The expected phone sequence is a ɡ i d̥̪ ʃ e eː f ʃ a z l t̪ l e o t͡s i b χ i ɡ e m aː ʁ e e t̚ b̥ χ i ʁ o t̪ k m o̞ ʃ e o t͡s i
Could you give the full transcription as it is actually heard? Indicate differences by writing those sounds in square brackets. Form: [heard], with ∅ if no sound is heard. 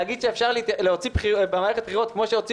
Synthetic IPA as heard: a ɡ i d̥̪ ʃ e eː f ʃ a [ʁ] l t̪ l e o t͡s i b χ i [b] e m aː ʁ e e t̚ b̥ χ i ʁ o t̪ k m o̞ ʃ e o t͡s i